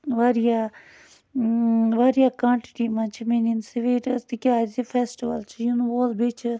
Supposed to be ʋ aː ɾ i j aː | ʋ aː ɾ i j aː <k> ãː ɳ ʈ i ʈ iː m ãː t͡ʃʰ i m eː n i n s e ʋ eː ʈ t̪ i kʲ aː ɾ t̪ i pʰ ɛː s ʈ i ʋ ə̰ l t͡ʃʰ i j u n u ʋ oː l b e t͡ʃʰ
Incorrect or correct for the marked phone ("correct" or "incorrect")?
correct